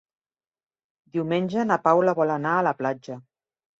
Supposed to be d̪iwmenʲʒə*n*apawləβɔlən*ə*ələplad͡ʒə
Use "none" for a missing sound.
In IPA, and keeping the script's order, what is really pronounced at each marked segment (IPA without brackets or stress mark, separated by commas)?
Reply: n, a